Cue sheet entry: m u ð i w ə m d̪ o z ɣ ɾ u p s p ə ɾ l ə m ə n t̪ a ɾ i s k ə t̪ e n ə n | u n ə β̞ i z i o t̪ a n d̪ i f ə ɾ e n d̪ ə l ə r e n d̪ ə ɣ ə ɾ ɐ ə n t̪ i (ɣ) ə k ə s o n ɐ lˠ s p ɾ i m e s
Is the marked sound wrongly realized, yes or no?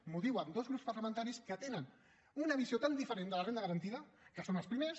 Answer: yes